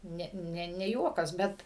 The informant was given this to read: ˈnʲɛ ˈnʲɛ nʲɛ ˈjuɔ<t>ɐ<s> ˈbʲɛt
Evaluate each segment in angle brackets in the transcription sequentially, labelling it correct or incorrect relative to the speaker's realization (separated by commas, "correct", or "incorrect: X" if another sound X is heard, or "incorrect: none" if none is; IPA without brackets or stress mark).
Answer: incorrect: k, correct